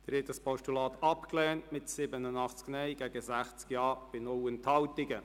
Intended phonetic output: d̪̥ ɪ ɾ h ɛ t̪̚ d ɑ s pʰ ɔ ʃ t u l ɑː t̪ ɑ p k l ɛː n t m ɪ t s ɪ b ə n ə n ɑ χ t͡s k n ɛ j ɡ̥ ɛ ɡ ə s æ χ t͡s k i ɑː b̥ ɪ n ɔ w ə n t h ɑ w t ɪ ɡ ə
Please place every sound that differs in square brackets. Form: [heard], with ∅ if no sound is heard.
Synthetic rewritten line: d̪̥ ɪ ɾ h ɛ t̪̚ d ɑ s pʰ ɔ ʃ t u l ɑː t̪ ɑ p k l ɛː n t m ɪ t s ɪ b ə n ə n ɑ χ t͡s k n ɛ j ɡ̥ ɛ ɡ ə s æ χ t͡s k [j] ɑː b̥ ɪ n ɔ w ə n t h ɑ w t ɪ ɡ ə